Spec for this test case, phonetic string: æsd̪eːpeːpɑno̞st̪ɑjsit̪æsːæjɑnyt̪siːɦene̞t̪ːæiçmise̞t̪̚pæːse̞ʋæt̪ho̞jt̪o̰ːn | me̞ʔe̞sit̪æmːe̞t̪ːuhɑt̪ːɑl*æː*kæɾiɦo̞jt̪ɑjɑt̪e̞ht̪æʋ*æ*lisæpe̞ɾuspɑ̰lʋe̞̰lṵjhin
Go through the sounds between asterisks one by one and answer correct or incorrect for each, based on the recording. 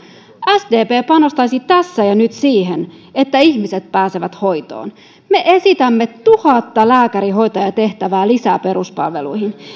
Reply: correct, incorrect

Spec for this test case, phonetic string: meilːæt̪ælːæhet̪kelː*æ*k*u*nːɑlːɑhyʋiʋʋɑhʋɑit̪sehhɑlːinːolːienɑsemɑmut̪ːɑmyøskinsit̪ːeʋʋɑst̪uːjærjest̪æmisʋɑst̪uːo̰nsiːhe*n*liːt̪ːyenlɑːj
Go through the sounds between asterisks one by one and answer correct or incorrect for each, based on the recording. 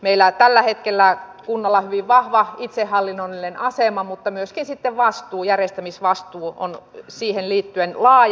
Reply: correct, correct, correct

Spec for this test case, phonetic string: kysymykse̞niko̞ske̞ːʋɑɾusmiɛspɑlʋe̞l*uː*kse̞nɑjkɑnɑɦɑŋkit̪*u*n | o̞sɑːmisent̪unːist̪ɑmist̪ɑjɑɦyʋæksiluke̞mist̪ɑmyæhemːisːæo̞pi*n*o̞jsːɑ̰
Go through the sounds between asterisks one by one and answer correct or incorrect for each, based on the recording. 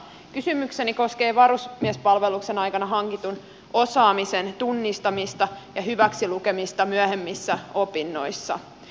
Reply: incorrect, correct, incorrect

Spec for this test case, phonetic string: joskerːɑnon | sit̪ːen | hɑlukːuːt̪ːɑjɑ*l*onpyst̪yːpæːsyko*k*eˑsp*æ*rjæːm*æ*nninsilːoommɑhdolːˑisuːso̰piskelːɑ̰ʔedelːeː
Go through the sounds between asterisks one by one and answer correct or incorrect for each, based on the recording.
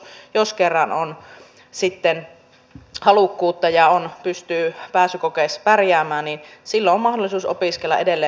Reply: incorrect, correct, correct, incorrect

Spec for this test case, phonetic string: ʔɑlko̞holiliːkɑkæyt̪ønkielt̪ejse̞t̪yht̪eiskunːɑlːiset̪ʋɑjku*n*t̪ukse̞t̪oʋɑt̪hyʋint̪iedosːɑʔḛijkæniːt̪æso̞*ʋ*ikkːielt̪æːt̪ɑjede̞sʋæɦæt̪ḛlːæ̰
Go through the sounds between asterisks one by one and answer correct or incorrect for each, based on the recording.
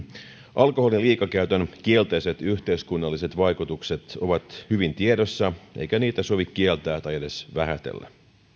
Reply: incorrect, correct

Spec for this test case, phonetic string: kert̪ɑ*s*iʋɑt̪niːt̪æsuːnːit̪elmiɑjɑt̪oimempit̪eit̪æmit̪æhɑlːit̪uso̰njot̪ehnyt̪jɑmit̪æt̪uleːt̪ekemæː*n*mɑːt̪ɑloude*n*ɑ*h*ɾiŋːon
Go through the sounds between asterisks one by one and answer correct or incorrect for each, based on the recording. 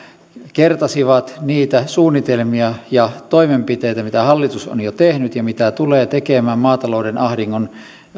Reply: correct, incorrect, correct, correct

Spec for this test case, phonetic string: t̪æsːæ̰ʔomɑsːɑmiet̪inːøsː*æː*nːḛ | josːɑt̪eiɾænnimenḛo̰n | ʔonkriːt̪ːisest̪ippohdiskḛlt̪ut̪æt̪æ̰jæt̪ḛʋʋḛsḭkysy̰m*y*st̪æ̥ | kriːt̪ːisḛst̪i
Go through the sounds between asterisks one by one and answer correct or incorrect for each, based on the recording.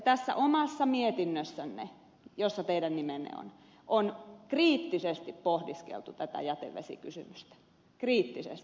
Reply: incorrect, correct

